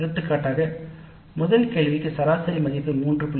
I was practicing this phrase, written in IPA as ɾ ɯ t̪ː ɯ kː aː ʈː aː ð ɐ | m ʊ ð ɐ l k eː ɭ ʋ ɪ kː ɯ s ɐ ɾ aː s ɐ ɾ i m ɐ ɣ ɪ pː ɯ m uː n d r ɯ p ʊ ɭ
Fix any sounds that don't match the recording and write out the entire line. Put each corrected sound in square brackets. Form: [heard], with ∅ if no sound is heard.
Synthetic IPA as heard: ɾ ɯ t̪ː ɯ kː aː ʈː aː [ɣ] ɐ | m ʊ ð ɐ l k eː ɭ ʋ ɪ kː ɯ s ɐ ɾ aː s ɐ ɾ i m ɐ ɣ ɪ pː ɯ m uː n d r ɯ p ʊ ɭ